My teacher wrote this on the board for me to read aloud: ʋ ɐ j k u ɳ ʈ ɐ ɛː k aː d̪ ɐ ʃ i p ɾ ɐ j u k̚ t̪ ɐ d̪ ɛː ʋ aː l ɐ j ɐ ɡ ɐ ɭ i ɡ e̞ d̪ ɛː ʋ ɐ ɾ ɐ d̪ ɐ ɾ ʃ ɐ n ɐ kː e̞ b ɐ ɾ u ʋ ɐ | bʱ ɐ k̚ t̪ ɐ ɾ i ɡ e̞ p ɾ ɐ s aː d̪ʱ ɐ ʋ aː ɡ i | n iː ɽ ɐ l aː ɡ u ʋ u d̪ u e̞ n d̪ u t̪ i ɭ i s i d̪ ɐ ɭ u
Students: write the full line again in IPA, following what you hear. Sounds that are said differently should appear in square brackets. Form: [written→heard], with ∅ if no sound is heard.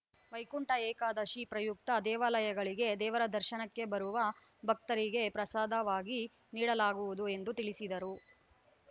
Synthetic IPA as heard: ʋ ɐ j k u ɳ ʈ ɐ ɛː k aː d̪ ɐ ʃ i p ɾ ɐ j u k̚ t̪ ɐ d̪ ɛː ʋ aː l ɐ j ɐ ɡ ɐ ɭ i ɡ e̞ d̪ ɛː ʋ ɐ ɾ ɐ d̪ ɐ ɾ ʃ ɐ n ɐ kː e̞ b ɐ ɾ u ʋ ɐ | bʱ ɐ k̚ t̪ ɐ ɾ i ɡ e̞ p ɾ ɐ s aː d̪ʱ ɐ ʋ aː ɡ i | n iː ɽ ɐ l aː ɡ u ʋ u d̪ u e̞ n d̪ u t̪ i ɭ i s i d̪ ɐ [ɭ→ɾ] u

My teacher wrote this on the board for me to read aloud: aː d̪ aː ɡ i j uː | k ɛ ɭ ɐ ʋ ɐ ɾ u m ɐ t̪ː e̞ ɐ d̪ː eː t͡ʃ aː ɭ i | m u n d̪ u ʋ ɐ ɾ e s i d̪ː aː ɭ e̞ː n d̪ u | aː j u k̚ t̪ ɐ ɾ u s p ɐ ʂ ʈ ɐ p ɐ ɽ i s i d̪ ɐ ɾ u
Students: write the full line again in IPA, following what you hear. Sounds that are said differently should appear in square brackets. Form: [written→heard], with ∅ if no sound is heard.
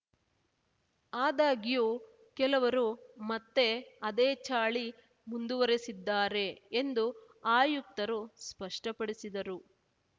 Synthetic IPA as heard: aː d̪ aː ɡ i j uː | k ɛ [ɭ→l] ɐ ʋ ɐ ɾ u m ɐ t̪ː e̞ ɐ [d̪ː→d̪] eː t͡ʃ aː ɭ i | m u n d̪ u ʋ ɐ ɾ e s i d̪ː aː [ɭ→ɾ] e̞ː n d̪ u | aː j u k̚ t̪ ɐ ɾ u s p ɐ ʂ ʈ ɐ p ɐ ɽ i s i d̪ ɐ ɾ u

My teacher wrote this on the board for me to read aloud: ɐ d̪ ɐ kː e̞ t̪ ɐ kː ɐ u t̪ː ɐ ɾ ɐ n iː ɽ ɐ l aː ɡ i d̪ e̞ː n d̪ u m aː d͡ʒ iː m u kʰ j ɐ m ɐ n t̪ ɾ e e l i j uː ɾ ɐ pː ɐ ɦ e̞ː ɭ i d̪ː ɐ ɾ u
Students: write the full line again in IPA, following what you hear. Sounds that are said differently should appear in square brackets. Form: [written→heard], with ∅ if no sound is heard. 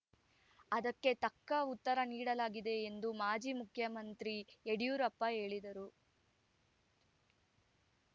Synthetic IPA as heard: ɐ d̪ ɐ kː e̞ t̪ ɐ kː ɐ u t̪ː ɐ ɾ ɐ n iː ɽ ɐ l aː ɡ i d̪ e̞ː n d̪ u m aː d͡ʒ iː m u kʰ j ɐ m ɐ n t̪ ɾ [e→i] e [l→ɽ] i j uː ɾ ɐ pː ɐ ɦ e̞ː ɭ i [d̪ː→d̪] ɐ ɾ u

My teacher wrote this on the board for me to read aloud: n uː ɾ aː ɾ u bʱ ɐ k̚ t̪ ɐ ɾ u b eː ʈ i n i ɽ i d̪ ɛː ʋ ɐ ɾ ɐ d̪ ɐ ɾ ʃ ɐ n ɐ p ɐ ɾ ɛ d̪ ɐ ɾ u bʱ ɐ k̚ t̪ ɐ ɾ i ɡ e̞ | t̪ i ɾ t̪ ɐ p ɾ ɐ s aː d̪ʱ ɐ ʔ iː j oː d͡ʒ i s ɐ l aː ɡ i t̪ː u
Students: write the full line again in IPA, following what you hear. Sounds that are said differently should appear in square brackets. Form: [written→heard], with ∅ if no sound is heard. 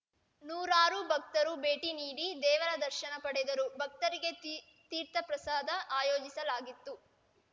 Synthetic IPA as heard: n uː ɾ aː ɾ u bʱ ɐ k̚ t̪ ɐ ɾ u b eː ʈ i n [i→iː] ɽ i d̪ ɛː ʋ ɐ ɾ ɐ d̪ ɐ ɾ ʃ ɐ n ɐ p ɐ [ɾ→ɽ] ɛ d̪ ɐ ɾ u bʱ ɐ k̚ t̪ ɐ ɾ i ɡ e̞ | t̪ [i→iː] ɾ t̪ ɐ p ɾ ɐ s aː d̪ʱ ɐ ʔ [iː→aː] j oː d͡ʒ i s ɐ l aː ɡ i t̪ː u

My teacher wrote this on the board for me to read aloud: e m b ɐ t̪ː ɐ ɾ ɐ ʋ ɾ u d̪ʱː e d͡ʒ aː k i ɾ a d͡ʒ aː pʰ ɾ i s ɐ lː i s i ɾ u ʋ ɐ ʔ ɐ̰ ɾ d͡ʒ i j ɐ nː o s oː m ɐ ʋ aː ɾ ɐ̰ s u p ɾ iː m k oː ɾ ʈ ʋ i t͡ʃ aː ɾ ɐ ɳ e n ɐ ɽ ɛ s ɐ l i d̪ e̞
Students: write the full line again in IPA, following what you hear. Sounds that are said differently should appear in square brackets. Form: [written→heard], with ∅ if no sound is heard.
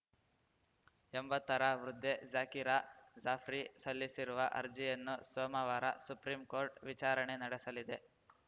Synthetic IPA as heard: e m b ɐ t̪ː ɐ ɾ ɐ ʋ ɾ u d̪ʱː e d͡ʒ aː k i ɾ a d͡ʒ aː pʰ ɾ i s ɐ lː i s i ɾ u ʋ ɐ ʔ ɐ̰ ɾ d͡ʒ i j ɐ nː [o→u] s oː m ɐ ʋ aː ɾ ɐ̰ s u p ɾ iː m k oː ɾ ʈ ʋ i t͡ʃ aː ɾ ɐ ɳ e n ɐ ɽ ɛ s ɐ l i d̪ e̞

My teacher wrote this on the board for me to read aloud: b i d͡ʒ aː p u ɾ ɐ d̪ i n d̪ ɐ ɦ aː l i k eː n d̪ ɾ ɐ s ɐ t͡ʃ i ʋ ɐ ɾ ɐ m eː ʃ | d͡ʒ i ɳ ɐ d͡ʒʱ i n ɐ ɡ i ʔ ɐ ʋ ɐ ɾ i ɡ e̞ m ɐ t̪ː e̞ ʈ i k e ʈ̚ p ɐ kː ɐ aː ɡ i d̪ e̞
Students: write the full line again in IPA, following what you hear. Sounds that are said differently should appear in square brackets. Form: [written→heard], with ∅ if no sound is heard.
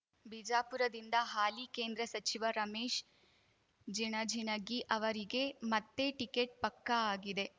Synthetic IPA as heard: b i d͡ʒ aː p u ɾ ɐ d̪ i n d̪ ɐ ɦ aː l i k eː n d̪ ɾ ɐ s ɐ t͡ʃ i ʋ ɐ ɾ ɐ m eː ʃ | d͡ʒ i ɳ ɐ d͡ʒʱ i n ɐ ɡ i ʔ ɐ ʋ ɐ ɾ i ɡ e̞ m ɐ t̪ː e̞ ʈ i k e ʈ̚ p ɐ kː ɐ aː ɡ i d̪ e̞

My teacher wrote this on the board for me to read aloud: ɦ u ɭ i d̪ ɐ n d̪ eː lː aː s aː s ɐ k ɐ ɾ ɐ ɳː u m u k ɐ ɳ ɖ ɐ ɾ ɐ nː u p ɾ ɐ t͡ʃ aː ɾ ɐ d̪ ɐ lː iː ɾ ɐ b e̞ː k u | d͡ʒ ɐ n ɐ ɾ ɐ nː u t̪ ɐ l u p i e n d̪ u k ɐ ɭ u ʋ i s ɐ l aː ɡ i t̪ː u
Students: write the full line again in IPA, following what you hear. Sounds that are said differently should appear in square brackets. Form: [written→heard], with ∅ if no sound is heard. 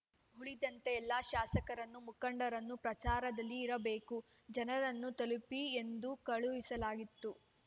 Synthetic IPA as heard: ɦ u ɭ i d̪ ɐ n [d̪→t̪] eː lː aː [s→ʃ] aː s ɐ k ɐ ɾ ɐ [ɳː→nː] u m u k ɐ ɳ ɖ ɐ ɾ ɐ nː u p ɾ ɐ t͡ʃ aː ɾ ɐ d̪ ɐ lː iː ɾ ɐ b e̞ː k u | d͡ʒ ɐ n ɐ ɾ ɐ nː u t̪ ɐ l u p i e n d̪ u k ɐ ɭ u ʋ i s ɐ l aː ɡ i t̪ː u

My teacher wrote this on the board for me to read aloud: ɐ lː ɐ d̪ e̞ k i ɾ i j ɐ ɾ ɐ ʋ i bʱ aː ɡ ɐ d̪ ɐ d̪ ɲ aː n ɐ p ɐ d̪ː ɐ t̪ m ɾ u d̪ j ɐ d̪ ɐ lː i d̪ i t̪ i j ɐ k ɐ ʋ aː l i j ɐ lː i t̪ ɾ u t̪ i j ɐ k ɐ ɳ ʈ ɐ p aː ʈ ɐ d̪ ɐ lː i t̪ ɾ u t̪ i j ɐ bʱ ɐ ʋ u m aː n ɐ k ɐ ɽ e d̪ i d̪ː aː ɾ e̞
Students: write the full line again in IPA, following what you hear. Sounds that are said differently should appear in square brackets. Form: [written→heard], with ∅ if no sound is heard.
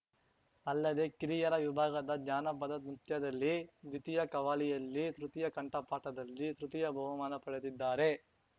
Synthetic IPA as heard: ɐ lː ɐ d̪ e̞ k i ɾ i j ɐ ɾ ɐ ʋ i bʱ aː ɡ ɐ d̪ ɐ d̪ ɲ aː n ɐ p ɐ [d̪ː→d̪] ɐ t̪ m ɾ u [d̪→t̪] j ɐ d̪ ɐ lː i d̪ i t̪ i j ɐ k ɐ ʋ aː l i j ɐ lː i t̪ ɾ u t̪ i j ɐ k ɐ ɳ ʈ ɐ p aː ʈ ɐ d̪ ɐ lː i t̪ ɾ u t̪ i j ɐ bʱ ɐ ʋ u m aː n ɐ [k→p] ɐ ɽ e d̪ i d̪ː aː ɾ e̞

